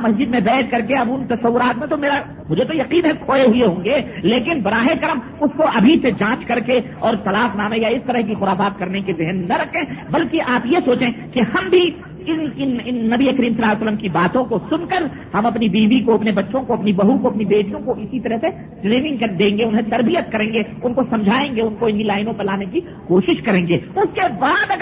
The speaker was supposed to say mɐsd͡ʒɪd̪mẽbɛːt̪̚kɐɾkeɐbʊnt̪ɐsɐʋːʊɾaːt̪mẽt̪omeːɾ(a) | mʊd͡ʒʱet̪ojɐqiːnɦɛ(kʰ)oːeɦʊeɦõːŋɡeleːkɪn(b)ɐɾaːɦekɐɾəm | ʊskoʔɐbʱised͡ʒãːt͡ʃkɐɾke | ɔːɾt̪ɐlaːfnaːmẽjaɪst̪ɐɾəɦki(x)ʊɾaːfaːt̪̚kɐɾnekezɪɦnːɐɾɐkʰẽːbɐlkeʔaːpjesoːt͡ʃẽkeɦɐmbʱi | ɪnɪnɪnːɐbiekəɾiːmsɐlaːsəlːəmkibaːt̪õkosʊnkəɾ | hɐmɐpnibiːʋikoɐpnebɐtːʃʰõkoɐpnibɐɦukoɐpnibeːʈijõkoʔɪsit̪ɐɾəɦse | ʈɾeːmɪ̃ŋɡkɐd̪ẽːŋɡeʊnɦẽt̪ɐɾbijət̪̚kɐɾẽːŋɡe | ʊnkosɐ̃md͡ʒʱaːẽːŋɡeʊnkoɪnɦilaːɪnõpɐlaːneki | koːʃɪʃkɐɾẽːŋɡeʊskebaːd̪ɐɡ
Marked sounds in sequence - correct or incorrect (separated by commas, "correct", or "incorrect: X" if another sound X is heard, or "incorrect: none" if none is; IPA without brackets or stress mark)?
correct, correct, correct, correct